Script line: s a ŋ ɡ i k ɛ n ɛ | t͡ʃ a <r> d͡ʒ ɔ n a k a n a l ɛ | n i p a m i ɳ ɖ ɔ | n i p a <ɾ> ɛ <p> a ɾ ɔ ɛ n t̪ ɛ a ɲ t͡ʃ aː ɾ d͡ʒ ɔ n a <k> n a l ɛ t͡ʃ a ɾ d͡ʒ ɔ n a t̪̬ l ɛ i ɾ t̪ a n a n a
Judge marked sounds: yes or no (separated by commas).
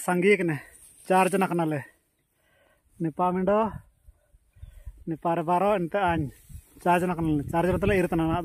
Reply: no, yes, no, yes